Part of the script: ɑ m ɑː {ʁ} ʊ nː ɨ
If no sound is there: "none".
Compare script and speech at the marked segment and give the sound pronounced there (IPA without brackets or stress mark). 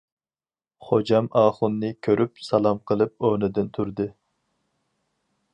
χ